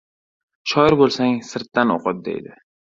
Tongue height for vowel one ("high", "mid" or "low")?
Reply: low